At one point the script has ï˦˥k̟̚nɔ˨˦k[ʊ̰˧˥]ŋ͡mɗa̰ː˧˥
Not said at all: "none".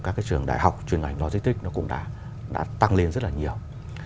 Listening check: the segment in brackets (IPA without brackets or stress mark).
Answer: ʊ̰˧˥